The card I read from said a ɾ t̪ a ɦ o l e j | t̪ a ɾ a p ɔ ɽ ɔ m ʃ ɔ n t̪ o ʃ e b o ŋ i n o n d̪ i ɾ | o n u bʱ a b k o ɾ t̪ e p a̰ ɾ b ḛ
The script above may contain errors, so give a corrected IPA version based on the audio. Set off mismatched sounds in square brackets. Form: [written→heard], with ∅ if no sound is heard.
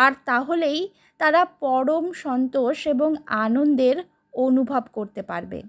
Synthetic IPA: a ɾ t̪ a ɦ o l e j | t̪ a ɾ a p ɔ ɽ [ɔ→o] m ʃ ɔ n t̪ o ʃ e b o ŋ [i→a] n o n d̪ [i→e] ɾ | o n u bʱ a b k o ɾ t̪ e p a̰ ɾ b ḛ